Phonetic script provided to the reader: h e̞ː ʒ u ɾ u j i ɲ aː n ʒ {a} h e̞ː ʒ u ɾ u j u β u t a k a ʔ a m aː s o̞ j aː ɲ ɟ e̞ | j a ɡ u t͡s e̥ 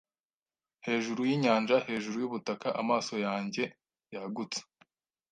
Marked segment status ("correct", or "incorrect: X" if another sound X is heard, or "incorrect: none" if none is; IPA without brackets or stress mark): correct